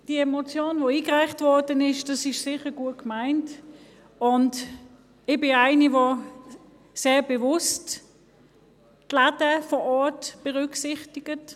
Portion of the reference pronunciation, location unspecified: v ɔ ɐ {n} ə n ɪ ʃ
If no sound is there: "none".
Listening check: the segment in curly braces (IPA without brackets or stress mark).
d